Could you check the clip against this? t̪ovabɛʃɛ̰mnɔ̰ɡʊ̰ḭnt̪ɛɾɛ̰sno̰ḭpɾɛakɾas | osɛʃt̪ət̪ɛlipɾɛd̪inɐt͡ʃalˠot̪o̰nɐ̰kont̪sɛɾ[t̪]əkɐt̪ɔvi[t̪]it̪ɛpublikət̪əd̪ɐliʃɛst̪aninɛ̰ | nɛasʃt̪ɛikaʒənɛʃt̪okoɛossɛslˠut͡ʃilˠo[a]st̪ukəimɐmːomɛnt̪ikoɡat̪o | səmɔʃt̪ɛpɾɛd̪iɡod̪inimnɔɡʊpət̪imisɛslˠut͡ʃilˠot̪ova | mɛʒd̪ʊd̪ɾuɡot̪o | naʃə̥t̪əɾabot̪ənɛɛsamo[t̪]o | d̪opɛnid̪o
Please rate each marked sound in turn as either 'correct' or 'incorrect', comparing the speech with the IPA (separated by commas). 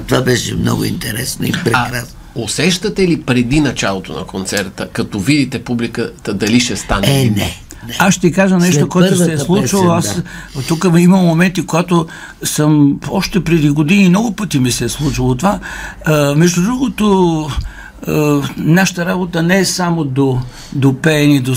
correct, incorrect, correct, incorrect